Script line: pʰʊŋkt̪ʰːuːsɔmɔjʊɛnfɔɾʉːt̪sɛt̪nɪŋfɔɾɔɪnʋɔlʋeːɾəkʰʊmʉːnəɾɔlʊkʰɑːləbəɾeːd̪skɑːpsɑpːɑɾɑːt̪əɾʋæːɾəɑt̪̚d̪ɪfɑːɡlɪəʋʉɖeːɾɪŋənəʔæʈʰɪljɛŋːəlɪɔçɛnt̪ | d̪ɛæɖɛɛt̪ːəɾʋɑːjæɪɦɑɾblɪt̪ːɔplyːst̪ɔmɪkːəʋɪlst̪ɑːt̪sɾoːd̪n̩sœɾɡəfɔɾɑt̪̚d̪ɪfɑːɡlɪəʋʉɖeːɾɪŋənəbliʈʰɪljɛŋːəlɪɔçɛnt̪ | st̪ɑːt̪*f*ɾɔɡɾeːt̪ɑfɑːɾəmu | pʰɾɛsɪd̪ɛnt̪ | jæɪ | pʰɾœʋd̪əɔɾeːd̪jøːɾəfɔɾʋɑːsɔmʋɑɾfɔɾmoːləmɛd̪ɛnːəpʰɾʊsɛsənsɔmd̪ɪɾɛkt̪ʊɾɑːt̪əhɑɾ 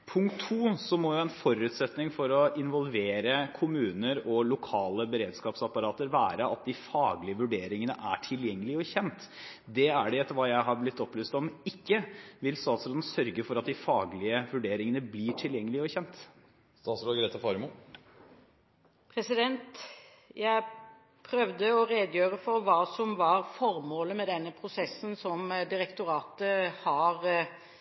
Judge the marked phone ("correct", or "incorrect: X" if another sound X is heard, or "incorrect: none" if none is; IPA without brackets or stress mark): incorrect: s